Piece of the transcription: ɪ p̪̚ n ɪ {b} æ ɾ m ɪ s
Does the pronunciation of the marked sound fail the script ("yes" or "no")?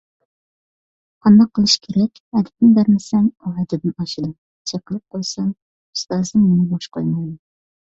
no